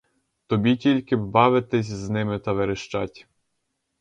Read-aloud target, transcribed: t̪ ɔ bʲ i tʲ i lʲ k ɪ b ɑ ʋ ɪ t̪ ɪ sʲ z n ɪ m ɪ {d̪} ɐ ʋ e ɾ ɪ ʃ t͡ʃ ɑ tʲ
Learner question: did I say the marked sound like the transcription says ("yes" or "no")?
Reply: no